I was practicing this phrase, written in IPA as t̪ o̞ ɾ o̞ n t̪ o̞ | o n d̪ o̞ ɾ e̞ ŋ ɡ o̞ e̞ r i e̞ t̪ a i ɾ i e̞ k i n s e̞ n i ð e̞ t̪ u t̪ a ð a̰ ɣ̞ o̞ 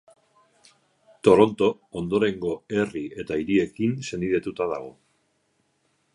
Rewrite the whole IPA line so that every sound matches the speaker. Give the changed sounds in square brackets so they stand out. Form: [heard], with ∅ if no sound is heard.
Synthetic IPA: t̪ o̞ ɾ o̞ n t̪ o̞ | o n d̪ o̞ ɾ e̞ ŋ ɡ o̞ e̞ r i e̞ t̪ a i ɾ i e̞ k i n s e̞ n i ð e̞ t̪ u t̪ a ð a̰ ɣ̞ o̞